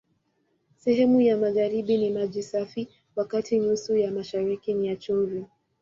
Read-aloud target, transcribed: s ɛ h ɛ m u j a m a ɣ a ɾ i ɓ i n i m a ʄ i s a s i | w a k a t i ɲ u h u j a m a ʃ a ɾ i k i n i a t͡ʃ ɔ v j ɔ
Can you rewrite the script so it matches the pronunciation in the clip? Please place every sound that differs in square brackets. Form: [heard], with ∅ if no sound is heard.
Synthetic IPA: s ɛ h ɛ m u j a m a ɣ a ɾ i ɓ i n i m a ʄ i s a [f] i | w a k a t i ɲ u [s] u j a m a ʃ a ɾ i k i n i a t͡ʃ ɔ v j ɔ